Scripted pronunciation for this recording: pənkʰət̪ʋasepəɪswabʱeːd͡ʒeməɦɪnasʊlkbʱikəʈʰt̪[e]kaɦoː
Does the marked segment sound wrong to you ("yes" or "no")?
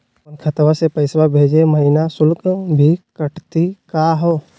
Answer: yes